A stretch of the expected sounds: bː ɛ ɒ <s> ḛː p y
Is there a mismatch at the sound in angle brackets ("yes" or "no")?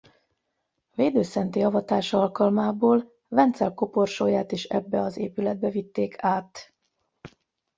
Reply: yes